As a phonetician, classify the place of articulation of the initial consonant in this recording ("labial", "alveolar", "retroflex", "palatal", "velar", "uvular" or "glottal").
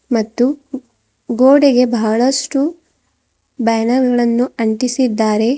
labial